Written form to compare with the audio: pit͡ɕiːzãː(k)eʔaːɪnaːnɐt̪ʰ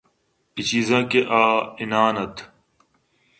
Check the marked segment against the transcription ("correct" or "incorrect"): correct